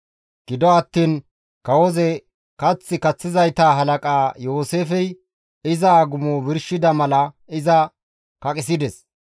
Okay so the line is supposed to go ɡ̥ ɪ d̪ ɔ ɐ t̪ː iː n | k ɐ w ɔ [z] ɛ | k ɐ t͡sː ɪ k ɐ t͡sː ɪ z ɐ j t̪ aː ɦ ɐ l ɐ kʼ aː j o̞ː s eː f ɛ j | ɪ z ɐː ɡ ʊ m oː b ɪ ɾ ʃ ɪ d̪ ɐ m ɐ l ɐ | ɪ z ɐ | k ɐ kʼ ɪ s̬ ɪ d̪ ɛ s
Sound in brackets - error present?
no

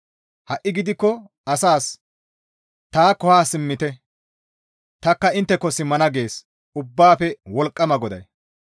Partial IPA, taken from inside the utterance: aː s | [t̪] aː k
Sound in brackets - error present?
no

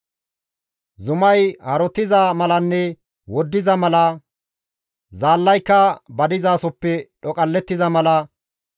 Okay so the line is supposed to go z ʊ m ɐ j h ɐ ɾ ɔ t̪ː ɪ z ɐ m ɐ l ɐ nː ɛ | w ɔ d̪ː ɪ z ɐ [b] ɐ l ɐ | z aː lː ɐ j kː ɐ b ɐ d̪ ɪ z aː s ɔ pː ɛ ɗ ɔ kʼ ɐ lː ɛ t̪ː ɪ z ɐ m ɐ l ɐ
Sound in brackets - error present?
yes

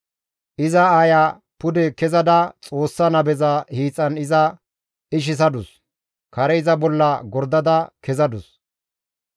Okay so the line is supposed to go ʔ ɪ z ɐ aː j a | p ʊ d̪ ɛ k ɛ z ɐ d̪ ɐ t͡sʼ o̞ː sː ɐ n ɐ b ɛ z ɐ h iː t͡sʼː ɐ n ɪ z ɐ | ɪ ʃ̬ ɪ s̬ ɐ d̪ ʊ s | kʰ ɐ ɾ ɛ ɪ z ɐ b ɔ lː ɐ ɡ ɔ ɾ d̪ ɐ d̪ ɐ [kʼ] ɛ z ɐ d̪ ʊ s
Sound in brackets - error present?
yes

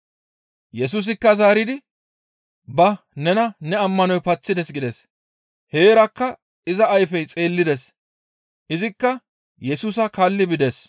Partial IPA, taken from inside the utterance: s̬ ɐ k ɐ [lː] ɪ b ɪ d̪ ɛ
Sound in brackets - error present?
no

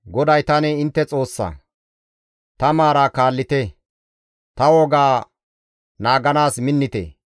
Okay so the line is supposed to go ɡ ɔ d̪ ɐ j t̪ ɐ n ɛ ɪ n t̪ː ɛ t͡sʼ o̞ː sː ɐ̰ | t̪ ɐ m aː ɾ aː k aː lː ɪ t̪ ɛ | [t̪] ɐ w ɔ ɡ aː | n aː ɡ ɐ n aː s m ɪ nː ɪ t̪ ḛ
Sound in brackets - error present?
no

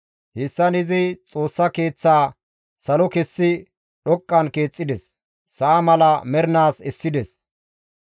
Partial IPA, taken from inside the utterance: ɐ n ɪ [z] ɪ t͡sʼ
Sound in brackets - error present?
no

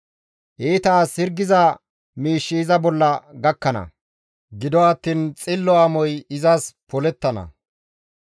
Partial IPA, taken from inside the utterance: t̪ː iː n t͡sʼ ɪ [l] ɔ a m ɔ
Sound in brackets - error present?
yes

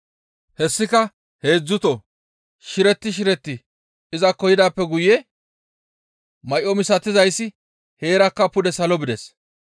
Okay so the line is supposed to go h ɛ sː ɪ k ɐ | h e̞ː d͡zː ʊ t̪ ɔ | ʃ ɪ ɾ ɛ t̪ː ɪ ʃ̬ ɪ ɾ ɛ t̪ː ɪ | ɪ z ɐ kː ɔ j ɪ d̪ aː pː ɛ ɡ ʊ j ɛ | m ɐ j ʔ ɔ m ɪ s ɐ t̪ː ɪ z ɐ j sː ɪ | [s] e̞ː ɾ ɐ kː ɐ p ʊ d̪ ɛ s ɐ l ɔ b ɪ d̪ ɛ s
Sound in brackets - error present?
yes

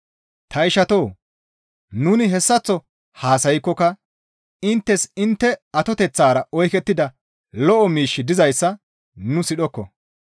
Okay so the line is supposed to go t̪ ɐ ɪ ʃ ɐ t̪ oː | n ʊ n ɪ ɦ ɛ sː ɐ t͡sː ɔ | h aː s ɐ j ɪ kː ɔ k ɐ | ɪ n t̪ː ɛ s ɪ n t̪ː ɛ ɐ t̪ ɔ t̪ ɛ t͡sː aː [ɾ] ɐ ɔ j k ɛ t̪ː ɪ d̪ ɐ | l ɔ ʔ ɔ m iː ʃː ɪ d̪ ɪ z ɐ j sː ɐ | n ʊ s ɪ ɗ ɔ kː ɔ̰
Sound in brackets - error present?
no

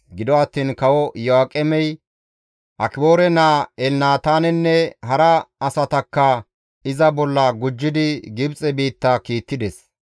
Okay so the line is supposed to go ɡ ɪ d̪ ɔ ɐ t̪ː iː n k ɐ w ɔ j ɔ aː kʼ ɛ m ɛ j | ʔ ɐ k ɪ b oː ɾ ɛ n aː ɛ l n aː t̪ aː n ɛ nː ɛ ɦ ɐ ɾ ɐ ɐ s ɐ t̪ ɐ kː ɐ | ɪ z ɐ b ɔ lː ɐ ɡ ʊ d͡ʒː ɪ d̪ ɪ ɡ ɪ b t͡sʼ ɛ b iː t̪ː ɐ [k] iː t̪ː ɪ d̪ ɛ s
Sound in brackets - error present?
no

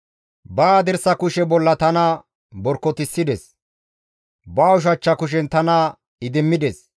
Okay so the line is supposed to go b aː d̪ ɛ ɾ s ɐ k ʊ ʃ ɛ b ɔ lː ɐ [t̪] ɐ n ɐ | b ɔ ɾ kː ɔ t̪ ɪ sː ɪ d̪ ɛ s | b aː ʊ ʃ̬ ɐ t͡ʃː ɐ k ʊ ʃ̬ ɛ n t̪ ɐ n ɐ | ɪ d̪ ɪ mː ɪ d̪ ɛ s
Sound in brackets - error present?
no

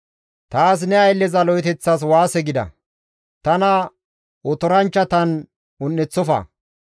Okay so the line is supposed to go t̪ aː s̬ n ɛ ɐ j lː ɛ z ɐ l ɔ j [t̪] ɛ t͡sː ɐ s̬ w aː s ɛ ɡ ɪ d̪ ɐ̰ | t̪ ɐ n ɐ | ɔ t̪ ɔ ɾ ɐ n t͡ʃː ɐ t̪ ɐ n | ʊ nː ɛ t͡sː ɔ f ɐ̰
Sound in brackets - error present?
no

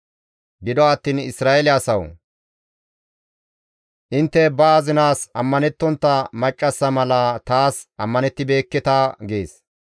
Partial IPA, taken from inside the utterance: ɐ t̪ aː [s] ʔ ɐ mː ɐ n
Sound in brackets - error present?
no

